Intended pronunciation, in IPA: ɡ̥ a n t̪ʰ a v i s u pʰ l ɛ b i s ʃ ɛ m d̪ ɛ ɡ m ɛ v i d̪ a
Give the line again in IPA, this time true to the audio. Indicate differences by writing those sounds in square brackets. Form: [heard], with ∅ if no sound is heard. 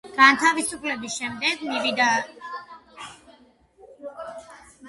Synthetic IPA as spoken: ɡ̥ a n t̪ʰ a v i s u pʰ l ɛ b i s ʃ ɛ m d̪ ɛ ɡ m [i] v i d̪ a